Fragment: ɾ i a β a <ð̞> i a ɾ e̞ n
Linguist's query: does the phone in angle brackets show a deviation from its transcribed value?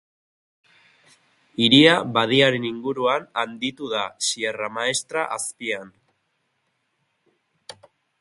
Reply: no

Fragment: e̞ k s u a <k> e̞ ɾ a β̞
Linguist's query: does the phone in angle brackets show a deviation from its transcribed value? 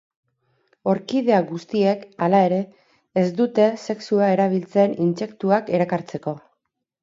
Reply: yes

